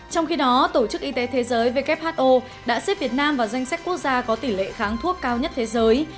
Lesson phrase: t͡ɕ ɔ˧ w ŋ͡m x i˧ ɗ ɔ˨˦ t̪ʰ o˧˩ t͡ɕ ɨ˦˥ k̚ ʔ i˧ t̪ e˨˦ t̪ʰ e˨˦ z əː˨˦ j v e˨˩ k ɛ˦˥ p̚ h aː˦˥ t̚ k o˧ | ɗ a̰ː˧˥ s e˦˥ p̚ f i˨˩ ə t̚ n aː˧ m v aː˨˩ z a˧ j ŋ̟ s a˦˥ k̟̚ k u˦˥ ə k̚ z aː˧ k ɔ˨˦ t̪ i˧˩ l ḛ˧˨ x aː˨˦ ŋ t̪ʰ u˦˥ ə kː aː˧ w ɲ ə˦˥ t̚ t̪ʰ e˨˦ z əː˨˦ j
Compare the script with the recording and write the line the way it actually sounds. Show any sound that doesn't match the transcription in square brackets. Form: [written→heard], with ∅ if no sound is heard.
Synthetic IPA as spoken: t͡ɕ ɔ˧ w ŋ͡m x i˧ ɗ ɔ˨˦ [t̪ʰ→t̪] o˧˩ t͡ɕ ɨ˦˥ k̚ ʔ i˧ t̪ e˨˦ t̪ʰ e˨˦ z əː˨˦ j v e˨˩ k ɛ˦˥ p̚ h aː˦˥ t̚ [k→ʔ] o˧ | ɗ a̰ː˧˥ s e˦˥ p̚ [f→v] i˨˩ ə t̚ n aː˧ m v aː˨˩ z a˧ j ŋ̟ s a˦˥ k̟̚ k u˦˥ ə k̚ z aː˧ k ɔ˨˦ t̪ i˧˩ l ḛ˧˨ x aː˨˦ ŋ t̪ʰ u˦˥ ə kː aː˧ w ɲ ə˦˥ t̚ t̪ʰ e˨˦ z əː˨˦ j

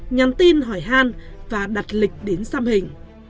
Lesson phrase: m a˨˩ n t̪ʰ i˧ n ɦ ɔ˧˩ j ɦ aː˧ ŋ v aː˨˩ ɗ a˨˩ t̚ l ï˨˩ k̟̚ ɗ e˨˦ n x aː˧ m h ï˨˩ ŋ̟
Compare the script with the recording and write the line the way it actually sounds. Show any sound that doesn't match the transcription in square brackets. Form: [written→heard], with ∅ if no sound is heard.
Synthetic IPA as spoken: [m→ɲ] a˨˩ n [t̪ʰ→t̪] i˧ n ɦ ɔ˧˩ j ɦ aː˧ [ŋ→n] v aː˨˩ ɗ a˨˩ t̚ l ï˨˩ k̟̚ ɗ e˨˦ n [x→s] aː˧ m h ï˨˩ ŋ̟

